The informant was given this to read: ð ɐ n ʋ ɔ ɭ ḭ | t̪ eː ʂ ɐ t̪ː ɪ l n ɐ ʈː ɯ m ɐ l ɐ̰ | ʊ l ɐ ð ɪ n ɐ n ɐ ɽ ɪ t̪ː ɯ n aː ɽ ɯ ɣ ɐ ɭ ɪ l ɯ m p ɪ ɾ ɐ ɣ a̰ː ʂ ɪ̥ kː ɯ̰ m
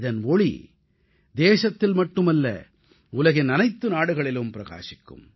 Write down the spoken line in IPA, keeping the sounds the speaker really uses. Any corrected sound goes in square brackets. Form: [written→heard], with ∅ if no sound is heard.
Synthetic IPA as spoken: ð ɐ n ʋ ɔ ɭ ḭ | [t̪→d̪] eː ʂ ɐ t̪ː ɪ l [n→m] ɐ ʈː ɯ m ɐ [l→lː] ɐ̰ | ʊ l ɐ [ð→ɣ] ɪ n ɐ n ɐ [ɽ→∅] ɪ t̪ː ɯ n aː ɽ ɯ ɣ ɐ ɭ ɪ l ɯ m p ɪ ɾ ɐ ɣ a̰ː ʂ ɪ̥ kː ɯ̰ m